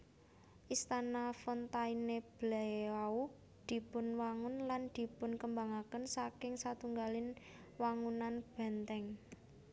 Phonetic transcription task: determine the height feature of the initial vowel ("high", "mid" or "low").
high